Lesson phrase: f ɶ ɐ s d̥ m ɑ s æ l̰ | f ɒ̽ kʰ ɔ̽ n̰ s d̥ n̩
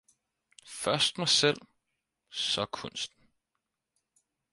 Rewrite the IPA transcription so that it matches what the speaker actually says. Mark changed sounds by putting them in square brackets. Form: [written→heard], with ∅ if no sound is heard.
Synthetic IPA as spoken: f ɶ ɐ s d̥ m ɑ s [æ→e] l̰ | [f→s] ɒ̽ kʰ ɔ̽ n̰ s d̥ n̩